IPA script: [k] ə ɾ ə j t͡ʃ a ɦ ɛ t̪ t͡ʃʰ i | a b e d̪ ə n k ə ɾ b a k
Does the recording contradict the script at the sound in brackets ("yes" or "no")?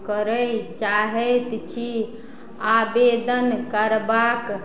no